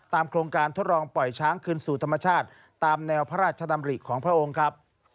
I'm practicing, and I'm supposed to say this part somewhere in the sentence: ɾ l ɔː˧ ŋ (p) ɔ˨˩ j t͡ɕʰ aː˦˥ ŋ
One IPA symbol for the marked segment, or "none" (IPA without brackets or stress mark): p